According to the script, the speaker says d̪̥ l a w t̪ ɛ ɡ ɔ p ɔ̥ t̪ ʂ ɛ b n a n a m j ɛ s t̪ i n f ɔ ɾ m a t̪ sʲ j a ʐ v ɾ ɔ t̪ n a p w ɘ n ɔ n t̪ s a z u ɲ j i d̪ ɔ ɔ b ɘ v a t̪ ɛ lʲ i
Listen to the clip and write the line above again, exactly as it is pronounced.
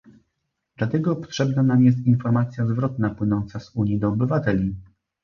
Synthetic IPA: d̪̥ l a t̪ ɛ ɡ ɔ p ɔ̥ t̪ ʂ ɛ b n a n a m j ɛ s t̪ i n f ɔ ɾ m a t̪ sʲ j a z v ɾ ɔ t̪ n a p w ɘ n ɔ n t̪ s a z u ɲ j i d̪ ɔ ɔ b ɘ v a t̪ ɛ lʲ i